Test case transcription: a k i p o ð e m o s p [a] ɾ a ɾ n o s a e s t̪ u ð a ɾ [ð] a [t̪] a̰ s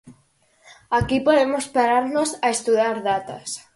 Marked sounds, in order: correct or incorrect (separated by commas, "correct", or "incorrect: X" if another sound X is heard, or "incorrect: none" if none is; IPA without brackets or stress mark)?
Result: correct, correct, correct